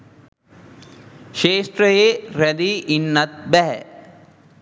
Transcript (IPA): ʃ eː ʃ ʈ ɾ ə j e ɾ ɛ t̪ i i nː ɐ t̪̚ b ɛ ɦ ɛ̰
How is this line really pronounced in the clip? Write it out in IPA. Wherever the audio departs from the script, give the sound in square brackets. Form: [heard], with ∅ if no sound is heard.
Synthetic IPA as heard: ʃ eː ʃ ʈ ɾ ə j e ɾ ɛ [d̪] i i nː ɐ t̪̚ b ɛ ɦ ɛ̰